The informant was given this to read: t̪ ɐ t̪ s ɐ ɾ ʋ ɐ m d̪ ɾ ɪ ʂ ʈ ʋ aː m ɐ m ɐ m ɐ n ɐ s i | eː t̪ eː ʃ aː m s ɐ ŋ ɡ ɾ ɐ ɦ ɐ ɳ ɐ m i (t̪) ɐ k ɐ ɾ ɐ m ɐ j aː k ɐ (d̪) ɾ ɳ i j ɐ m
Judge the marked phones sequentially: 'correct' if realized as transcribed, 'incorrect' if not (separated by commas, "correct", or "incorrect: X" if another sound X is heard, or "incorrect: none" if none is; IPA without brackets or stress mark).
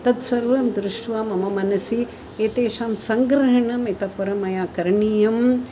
correct, incorrect: none